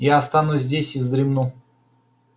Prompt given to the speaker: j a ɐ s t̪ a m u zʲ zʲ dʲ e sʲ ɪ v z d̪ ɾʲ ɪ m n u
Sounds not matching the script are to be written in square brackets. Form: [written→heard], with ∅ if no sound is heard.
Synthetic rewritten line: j a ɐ s t̪ a [m→n] u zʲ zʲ dʲ e sʲ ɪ v z d̪ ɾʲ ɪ m n u